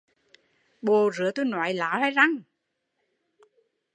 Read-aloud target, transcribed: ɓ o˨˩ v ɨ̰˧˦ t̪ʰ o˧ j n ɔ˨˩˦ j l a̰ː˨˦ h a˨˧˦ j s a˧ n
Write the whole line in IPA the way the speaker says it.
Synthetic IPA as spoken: ɓ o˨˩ z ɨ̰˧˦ t̪ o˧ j n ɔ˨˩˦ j l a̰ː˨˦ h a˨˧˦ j z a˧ ŋ